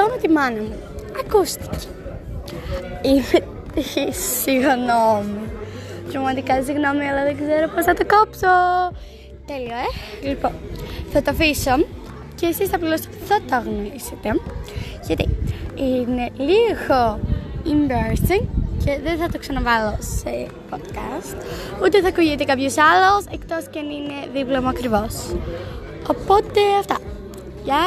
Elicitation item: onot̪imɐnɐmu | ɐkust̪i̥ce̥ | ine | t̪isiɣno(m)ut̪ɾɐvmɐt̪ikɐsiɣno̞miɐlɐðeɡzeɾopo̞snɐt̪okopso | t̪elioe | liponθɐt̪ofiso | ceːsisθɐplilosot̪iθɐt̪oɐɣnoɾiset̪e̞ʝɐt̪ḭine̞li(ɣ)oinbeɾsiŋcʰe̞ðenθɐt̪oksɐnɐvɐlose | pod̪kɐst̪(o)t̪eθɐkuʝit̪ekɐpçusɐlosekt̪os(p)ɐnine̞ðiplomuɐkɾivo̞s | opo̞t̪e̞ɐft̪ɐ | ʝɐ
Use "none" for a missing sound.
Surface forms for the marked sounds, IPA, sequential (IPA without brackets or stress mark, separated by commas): m, ɣ, u, c